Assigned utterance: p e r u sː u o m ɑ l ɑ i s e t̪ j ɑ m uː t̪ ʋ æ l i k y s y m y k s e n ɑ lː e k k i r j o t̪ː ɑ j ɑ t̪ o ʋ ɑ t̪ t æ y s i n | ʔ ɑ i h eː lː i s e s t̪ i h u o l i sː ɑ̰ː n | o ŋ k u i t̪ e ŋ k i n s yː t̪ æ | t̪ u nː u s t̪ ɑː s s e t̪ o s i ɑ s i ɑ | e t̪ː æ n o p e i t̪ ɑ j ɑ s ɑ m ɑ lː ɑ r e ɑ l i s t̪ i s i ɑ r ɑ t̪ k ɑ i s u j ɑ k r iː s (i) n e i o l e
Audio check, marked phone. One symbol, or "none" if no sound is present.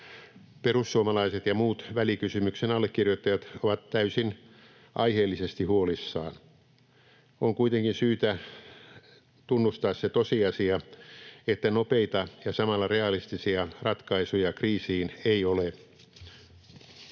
iː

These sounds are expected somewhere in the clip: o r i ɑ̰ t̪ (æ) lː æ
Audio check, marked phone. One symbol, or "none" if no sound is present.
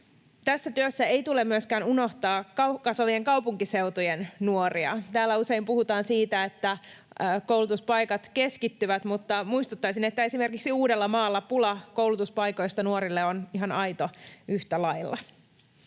æː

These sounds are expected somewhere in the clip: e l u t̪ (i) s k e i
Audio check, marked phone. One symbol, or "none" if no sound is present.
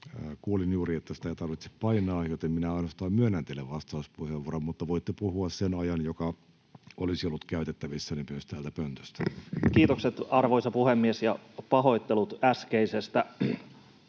æ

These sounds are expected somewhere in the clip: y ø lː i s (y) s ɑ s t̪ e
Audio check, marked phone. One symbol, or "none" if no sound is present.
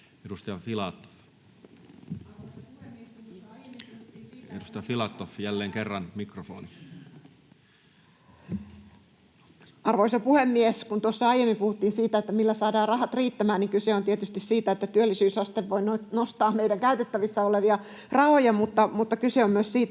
yː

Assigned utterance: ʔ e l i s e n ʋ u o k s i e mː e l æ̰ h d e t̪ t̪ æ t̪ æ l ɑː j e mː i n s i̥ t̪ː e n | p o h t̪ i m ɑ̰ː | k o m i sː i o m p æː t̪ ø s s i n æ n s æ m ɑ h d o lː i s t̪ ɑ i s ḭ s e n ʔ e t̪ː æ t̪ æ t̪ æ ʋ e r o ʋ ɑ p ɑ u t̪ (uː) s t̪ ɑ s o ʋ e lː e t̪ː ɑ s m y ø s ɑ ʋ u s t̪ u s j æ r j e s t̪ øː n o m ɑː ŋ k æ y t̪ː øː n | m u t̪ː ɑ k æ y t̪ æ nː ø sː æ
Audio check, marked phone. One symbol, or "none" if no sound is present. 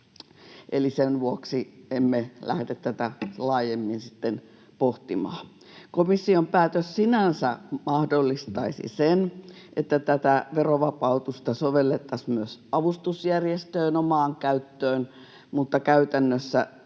u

